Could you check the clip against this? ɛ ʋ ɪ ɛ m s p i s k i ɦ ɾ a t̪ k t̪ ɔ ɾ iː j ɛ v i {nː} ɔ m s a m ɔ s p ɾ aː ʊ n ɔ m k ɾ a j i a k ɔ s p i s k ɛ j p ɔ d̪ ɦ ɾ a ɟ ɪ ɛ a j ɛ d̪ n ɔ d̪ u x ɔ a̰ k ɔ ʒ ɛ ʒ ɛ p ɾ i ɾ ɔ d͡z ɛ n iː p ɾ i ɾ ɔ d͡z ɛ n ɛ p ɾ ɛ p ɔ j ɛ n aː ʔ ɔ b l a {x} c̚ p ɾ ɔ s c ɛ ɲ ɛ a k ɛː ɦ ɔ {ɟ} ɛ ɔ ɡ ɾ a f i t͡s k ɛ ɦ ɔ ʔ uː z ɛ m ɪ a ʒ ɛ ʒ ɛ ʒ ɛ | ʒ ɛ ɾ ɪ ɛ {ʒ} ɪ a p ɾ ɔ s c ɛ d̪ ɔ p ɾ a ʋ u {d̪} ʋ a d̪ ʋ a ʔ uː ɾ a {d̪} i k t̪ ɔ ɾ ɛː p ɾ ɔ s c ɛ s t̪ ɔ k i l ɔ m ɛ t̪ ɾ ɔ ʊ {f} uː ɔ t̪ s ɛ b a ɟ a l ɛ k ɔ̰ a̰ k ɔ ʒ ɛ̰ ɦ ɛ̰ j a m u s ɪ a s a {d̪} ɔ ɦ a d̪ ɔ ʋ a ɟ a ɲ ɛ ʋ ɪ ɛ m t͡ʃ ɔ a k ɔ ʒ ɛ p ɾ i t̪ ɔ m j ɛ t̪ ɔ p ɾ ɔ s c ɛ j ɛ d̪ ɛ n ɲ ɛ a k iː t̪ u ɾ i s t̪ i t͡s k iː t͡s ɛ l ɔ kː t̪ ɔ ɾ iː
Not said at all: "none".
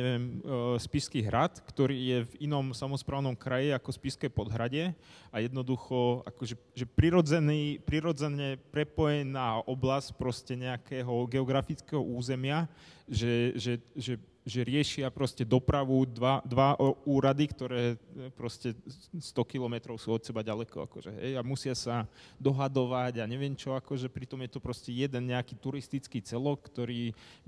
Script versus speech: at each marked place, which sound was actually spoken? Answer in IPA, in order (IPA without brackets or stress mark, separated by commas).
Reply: n, s, ɡ, ʃ, d̪, d̪, s, d̪